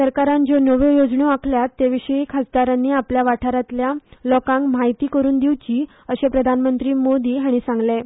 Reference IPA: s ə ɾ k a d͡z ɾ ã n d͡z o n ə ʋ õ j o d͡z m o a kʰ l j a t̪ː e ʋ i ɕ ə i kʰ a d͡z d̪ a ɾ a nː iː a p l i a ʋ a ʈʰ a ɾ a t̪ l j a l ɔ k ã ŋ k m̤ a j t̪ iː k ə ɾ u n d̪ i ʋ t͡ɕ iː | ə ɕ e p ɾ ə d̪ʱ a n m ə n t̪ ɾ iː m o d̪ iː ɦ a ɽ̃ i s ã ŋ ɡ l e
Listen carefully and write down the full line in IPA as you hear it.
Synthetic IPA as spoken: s ə ɾ k a ɾ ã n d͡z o n ə ʋ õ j o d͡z ɳ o a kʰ l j a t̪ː e ʋ i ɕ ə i kʰ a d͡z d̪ a ɾ a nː iː a p l j a ʋ a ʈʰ a ɾ a t̪ l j a l ɔ k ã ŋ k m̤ a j t̪ iː k ə ɾ uː n d̪ i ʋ t͡ɕ iː | ə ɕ e p ɾ ə d̪ʱ a n m ə n t̪ ɾ iː m o d̪ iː ɦ a ɽ̃ i s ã ŋ ɡ l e